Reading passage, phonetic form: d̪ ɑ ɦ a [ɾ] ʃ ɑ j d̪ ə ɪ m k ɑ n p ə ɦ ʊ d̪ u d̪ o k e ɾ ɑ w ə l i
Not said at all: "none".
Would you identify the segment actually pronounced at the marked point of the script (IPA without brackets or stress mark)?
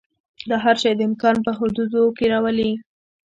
ɾ